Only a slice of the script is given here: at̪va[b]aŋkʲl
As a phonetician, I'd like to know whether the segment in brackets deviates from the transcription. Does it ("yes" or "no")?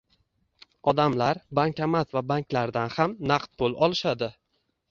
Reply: no